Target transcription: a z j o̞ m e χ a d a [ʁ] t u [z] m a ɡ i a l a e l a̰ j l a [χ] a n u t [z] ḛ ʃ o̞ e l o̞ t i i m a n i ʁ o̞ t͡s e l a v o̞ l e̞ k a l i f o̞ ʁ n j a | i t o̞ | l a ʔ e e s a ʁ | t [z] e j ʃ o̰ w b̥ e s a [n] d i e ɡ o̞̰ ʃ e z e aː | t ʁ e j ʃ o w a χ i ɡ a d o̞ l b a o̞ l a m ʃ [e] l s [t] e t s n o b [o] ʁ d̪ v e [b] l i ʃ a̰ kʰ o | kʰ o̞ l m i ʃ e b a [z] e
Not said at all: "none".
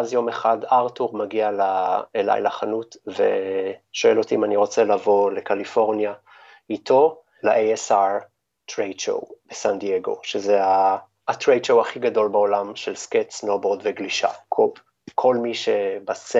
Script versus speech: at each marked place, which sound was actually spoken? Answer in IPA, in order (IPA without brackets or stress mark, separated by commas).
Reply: ʁ, ʁ, χ, v, ʁ, n, e, k, o, ɡ, s